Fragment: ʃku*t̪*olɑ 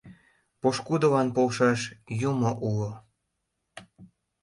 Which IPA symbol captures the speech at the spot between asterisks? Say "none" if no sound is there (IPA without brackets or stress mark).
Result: d̪